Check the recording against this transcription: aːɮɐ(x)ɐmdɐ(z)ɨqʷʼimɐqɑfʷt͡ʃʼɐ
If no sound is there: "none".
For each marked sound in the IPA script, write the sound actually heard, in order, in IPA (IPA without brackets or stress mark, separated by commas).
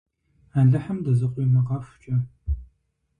ħ, z